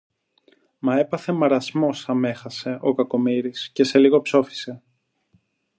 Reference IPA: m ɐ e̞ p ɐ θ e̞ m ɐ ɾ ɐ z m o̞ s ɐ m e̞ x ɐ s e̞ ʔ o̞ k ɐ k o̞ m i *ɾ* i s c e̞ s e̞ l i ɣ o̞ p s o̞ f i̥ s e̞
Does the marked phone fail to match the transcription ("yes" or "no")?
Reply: no